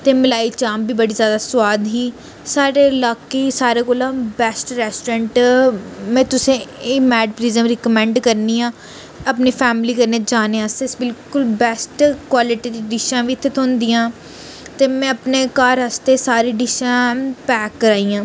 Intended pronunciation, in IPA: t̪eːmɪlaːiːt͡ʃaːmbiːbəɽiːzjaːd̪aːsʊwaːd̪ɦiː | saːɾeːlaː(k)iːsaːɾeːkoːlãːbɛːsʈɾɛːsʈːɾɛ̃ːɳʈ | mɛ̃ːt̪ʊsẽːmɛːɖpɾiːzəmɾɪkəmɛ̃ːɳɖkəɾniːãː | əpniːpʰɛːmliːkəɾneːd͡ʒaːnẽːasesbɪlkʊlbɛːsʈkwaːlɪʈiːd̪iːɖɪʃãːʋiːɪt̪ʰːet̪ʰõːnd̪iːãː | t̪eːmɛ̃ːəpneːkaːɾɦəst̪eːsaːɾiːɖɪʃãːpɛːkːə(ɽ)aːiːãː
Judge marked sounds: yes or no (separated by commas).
yes, no